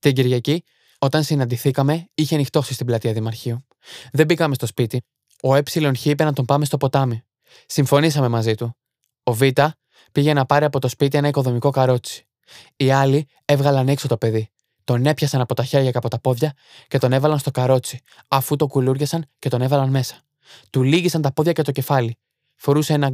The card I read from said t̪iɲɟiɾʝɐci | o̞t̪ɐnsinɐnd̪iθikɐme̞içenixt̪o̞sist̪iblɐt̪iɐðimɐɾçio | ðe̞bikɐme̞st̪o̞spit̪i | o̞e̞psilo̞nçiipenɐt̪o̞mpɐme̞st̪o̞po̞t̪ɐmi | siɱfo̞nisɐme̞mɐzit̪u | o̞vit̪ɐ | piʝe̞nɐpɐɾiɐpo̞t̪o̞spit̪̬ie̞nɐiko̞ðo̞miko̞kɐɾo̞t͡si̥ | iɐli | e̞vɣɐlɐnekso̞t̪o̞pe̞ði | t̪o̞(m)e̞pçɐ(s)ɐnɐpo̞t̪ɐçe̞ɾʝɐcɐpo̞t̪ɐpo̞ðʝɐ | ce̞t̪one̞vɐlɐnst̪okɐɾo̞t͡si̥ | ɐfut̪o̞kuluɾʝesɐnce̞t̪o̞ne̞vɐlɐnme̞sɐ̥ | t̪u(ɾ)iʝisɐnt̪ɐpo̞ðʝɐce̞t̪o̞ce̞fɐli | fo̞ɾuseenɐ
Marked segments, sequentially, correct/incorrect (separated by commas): incorrect, correct, incorrect